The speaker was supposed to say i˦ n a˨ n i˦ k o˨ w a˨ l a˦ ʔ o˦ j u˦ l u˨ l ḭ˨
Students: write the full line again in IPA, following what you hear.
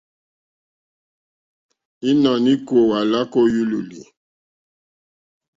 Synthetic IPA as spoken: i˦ n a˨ n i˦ k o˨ w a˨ l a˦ k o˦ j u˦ l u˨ l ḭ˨

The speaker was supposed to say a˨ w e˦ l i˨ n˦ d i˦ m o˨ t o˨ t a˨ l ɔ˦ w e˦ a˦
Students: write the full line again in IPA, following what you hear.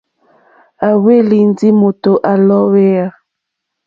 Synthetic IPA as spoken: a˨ w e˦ l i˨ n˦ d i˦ m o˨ t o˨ ʔ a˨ l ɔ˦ w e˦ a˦

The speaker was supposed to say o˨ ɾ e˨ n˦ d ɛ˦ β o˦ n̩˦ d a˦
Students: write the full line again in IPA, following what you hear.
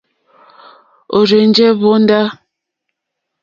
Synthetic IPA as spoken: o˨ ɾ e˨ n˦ d͡ʒ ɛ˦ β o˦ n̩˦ d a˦

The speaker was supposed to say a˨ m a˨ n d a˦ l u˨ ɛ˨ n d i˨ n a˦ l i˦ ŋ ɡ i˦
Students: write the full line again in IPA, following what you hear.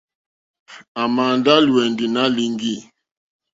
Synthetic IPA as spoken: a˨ m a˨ n d a˦ l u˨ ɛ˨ n d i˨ n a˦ l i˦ ŋ ɡ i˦

